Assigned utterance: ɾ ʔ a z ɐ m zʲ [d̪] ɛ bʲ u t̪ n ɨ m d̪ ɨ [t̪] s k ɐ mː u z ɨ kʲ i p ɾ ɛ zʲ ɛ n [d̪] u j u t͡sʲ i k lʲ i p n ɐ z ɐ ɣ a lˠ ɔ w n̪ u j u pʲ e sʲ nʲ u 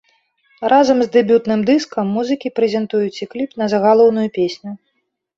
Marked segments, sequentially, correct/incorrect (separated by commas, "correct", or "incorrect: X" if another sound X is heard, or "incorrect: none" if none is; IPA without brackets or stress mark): correct, incorrect: none, incorrect: t̪